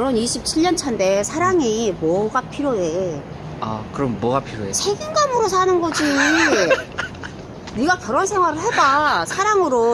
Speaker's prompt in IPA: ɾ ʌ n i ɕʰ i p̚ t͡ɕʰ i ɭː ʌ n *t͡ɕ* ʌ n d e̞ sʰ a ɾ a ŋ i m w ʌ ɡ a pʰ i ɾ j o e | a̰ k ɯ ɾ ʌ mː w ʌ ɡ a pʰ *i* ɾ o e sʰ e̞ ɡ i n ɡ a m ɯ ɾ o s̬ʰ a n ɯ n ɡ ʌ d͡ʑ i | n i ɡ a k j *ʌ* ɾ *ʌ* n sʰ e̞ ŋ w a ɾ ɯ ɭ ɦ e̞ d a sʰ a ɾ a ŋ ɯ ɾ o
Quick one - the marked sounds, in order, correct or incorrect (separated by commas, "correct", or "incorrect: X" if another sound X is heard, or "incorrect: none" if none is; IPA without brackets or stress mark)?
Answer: incorrect: t͡ɕʰ, correct, correct, correct